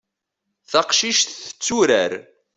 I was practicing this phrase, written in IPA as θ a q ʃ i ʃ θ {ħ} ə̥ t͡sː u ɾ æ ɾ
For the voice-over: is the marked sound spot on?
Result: no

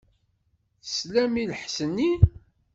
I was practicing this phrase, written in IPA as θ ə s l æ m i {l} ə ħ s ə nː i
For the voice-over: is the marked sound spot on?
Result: yes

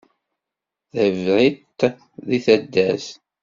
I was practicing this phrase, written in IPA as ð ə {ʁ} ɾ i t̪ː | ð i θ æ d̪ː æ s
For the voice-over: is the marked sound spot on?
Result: no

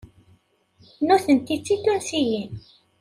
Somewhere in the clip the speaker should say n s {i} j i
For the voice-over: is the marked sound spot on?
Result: yes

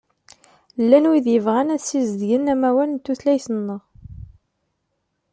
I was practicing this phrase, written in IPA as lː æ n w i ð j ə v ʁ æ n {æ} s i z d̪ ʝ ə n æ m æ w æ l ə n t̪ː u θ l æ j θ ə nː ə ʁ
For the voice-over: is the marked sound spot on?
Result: yes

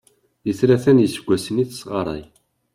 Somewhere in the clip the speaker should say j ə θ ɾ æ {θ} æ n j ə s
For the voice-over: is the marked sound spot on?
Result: yes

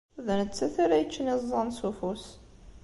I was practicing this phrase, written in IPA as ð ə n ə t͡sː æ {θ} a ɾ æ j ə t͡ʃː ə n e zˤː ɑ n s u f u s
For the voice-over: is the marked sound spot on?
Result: yes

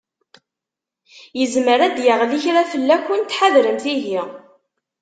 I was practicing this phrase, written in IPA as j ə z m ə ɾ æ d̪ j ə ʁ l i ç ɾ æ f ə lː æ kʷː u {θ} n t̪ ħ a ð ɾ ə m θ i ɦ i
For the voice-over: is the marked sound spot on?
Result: no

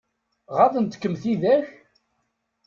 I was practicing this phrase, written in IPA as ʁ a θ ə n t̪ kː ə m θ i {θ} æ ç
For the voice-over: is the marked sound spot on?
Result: no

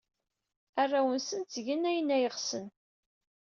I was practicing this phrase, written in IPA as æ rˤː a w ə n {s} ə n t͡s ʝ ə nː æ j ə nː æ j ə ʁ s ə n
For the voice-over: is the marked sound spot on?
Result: yes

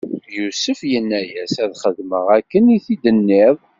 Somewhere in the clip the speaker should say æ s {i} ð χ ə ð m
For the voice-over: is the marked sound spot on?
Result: no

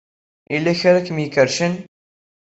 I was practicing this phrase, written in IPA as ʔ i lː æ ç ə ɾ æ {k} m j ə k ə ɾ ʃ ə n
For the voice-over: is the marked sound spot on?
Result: yes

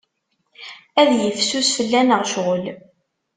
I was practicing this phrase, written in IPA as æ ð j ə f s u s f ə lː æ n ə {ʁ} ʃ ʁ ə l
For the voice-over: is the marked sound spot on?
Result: yes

